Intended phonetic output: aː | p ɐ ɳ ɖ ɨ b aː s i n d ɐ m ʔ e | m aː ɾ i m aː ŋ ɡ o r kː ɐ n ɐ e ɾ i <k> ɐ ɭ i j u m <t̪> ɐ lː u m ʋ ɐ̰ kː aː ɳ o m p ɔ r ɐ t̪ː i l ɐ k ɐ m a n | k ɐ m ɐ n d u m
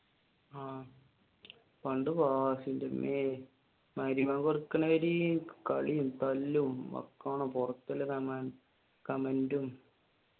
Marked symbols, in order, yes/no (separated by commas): yes, yes